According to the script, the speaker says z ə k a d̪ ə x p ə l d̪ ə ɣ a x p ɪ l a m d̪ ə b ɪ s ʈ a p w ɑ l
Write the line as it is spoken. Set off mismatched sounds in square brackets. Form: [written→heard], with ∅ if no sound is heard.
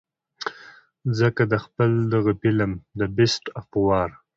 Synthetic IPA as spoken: z ə k a d̪ ə x p ə l d̪ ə ɣ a [x→∅] p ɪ l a m d̪ ə b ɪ s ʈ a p w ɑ [l→ɾ]